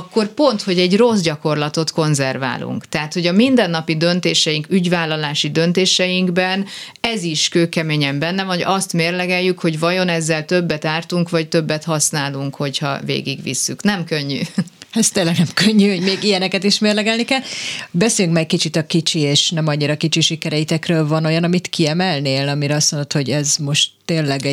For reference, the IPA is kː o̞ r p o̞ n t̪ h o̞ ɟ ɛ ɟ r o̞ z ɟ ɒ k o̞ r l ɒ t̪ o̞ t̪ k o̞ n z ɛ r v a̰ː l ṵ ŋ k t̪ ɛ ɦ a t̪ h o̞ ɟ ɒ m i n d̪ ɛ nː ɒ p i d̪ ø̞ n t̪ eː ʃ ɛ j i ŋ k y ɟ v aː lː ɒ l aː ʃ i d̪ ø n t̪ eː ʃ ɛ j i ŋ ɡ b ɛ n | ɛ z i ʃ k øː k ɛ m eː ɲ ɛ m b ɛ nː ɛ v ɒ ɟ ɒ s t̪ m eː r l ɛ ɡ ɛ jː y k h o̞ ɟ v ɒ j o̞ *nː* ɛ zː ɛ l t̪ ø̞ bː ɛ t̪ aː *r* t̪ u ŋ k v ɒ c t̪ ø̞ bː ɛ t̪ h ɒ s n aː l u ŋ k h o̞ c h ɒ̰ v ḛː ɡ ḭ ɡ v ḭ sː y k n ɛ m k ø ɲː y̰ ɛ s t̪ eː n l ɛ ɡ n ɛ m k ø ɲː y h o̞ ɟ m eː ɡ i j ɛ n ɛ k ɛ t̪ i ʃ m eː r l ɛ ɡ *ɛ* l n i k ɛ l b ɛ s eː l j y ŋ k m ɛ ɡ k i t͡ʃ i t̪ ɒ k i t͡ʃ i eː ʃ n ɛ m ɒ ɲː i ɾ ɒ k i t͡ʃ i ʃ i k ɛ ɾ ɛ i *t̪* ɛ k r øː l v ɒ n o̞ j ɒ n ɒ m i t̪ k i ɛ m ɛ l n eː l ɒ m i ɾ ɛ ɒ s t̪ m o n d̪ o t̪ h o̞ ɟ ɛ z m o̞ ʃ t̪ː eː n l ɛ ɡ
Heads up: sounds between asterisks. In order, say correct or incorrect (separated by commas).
incorrect, correct, correct, correct